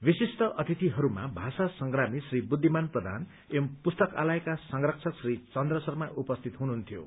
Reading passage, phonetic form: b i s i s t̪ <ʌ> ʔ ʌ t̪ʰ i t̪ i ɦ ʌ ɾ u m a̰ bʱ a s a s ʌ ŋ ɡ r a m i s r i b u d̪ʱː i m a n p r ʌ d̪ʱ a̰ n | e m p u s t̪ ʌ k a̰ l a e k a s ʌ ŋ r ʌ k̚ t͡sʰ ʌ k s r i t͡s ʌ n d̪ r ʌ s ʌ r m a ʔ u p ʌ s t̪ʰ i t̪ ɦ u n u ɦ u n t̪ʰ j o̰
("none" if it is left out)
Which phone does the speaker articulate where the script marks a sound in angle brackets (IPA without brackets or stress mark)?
ʌ